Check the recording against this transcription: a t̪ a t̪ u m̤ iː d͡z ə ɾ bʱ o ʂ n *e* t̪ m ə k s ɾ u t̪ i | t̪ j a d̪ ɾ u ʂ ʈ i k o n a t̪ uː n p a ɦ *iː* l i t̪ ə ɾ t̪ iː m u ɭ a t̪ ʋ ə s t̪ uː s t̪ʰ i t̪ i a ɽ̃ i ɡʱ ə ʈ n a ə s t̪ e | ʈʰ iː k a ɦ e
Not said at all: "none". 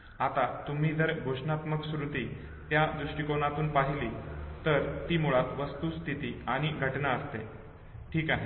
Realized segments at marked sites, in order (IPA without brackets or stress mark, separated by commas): a, i